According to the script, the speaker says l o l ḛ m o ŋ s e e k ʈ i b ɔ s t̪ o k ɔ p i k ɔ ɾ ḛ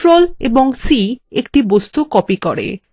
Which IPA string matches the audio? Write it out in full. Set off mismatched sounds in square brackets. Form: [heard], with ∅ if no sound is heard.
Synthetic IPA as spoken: [ɾ] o l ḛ [b] o ŋ s [i] e k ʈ i b [o] s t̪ [u] k ɔ p i k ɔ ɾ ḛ